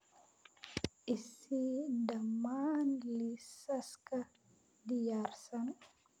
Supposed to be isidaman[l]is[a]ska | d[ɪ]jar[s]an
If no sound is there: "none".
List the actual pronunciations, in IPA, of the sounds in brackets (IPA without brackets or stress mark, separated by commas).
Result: l, a, i, s